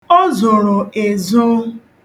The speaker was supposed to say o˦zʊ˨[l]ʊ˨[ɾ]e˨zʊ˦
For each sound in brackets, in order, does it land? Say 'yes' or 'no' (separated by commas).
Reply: no, no